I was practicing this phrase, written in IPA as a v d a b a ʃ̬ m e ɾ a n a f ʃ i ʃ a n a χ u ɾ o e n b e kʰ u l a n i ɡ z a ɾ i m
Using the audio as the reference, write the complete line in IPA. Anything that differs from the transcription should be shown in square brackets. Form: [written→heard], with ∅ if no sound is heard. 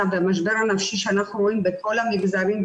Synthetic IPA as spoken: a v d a [b→m] a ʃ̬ [m→b] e ɾ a n a f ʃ i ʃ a n a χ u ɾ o [e→i] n b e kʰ [u→o] l a [n→m] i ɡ z a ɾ i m